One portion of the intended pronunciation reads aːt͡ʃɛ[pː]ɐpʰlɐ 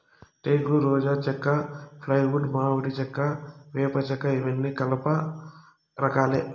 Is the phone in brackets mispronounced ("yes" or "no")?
yes